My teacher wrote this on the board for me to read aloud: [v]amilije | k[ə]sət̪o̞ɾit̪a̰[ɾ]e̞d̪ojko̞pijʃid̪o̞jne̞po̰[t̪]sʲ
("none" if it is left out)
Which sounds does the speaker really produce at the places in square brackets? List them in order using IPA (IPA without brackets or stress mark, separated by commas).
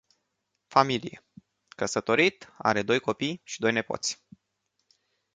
f, ə, ɾ, t̪